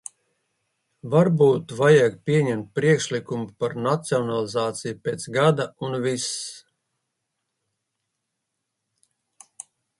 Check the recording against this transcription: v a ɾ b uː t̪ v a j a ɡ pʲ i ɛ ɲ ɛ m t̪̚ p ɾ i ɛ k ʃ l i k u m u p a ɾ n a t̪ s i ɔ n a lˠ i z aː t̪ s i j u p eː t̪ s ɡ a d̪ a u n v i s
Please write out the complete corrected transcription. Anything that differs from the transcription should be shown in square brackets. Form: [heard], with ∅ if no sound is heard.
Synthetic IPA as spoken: v a ɾ b uː t̪ v a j a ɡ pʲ i ɛ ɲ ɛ m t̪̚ p ɾ i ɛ k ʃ l i k u m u p a ɾ n a t̪ s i ɔ n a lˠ i z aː t̪ s i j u p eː t̪ s ɡ a d̪ a u n v i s